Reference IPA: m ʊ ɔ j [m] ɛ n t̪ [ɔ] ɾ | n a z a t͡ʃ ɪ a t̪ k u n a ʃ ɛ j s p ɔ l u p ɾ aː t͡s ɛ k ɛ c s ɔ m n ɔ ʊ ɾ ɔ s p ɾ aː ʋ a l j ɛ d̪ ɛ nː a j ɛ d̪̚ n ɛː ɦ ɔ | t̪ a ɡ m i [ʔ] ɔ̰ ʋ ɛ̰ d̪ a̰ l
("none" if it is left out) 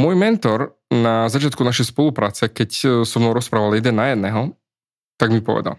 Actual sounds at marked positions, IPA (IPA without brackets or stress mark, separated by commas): m, ɔ, p